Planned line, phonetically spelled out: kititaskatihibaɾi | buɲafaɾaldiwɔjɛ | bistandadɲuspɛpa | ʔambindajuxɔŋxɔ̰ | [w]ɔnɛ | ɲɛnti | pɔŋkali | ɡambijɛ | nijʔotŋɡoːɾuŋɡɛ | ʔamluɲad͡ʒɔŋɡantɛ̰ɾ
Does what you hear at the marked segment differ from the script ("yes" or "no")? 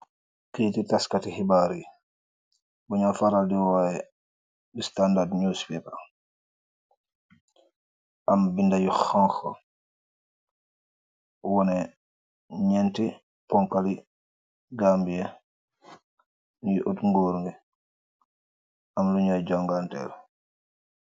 no